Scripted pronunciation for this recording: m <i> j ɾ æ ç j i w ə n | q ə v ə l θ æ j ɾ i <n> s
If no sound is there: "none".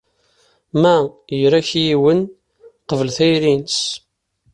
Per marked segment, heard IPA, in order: æ, n

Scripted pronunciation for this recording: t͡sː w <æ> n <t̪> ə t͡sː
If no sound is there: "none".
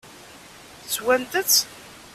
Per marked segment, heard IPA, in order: æ, t̪

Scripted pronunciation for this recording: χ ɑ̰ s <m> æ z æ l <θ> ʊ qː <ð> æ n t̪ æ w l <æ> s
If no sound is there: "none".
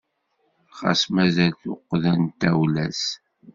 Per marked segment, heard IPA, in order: m, θ, ð, æ

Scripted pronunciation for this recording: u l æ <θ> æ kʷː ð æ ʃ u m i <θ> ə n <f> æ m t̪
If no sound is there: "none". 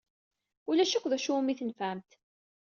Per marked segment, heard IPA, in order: ʃ, θ, f

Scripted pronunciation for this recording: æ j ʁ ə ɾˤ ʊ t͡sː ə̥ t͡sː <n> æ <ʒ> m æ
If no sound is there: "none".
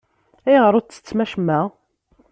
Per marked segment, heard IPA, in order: m, ʃ

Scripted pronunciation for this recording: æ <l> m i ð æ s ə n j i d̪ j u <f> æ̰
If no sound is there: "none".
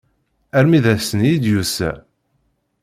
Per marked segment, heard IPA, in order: ɾ, s

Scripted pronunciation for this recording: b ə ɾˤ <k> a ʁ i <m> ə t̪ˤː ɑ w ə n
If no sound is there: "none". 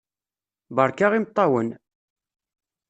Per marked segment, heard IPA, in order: k, m

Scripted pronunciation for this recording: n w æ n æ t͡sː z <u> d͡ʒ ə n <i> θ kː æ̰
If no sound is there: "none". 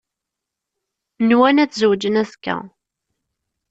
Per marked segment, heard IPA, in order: w, æ

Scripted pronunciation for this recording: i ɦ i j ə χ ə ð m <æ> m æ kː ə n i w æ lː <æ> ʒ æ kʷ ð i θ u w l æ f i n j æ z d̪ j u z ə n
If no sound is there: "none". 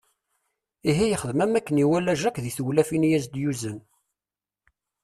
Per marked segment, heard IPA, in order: æ, æ

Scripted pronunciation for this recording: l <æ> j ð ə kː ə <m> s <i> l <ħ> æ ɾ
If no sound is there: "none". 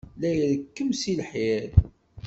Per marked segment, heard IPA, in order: æ, m, i, ħ

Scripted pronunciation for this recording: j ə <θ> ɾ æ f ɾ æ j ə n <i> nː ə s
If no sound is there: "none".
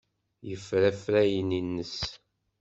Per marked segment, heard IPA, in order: f, i

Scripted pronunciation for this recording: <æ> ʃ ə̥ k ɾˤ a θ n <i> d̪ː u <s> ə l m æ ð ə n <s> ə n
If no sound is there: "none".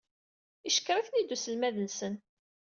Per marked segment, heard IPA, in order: i, i, s, s

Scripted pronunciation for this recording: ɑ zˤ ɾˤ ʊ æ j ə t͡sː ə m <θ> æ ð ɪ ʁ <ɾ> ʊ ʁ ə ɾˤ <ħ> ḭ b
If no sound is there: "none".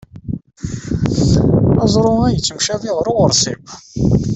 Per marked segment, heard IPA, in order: ʃ, ɾ, s

